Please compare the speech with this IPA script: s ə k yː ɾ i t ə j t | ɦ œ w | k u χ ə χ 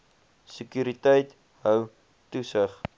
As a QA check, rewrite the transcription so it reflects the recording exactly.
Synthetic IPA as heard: s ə k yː ɾ i t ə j t | ɦ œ w | t u s ə χ

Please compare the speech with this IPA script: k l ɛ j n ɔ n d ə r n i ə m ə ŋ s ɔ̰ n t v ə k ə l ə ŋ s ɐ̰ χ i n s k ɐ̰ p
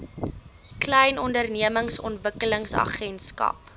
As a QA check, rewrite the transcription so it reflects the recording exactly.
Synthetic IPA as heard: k l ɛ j n ɔ n d ə r n i ə m ə ŋ s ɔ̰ n t v ə k ə l ə ŋ s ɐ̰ χ ɛ n s k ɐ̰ p

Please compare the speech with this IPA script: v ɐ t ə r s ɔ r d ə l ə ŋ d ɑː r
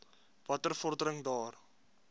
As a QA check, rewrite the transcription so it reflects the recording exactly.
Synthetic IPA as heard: v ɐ t ə r f ɔ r d ə ɾ ə ŋ d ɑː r

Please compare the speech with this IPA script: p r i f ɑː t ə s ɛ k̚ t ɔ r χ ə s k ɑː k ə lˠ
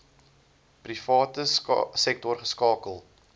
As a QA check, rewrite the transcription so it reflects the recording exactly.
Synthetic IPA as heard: p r i f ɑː t ə s ɛ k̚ t ɔ r χ ə s k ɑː k ə lˠ

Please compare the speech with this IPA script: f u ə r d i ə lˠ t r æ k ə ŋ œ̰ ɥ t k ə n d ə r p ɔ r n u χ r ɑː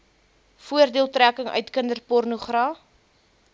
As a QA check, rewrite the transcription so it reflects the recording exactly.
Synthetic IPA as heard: f u ə r d i ə lˠ t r æ k ə ŋ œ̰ ɥ t k ə n d ə r p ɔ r n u χ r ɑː

